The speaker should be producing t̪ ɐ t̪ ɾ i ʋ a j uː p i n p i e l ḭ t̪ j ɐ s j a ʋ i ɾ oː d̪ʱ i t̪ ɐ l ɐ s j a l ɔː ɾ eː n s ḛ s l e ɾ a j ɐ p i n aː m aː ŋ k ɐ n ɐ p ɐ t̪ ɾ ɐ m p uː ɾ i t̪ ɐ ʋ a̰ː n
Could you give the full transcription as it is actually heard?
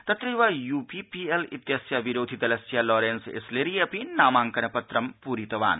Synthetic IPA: t̪ ɐ t̪ ɾ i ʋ a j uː p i p i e l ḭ t̪ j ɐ s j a ʋ i ɾ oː d̪ʱ i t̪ ɐ l ɐ s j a l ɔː ɾ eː n s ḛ s l e ɾ i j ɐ p i n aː m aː ŋ k ɐ n ɐ p ɐ t̪ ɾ ɐ m p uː ɾ i t̪ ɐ ʋ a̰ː n